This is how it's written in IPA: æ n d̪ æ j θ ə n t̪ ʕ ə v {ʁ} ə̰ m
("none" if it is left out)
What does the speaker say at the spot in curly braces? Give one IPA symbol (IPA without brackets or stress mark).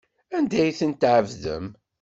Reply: ð